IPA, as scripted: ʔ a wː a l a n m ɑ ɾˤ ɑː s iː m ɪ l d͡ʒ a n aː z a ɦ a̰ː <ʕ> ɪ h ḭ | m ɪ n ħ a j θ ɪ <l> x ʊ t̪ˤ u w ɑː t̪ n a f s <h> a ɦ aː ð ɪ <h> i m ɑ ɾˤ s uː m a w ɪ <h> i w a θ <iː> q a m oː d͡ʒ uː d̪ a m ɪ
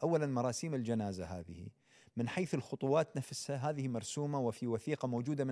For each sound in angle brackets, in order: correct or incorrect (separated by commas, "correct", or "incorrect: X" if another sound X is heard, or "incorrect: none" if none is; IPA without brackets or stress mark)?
incorrect: ð, correct, correct, correct, incorrect: f, correct